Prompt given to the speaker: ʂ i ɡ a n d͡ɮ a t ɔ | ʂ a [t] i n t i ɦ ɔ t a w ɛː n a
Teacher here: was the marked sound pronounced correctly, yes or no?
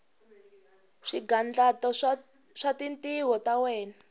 yes